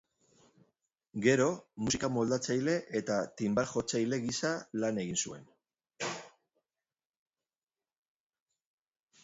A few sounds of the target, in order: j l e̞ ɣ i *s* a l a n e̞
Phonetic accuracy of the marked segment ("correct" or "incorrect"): correct